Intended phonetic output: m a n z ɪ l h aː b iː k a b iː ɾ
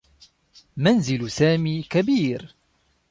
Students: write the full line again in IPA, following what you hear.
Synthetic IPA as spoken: m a n z ɪ l s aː m iː k a b iː ɾ